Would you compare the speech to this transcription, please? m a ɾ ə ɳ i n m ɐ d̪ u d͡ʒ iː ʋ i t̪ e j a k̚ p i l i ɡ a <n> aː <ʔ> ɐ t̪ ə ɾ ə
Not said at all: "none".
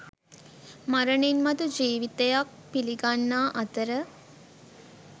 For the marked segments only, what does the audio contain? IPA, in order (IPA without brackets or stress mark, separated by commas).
nː, ʔ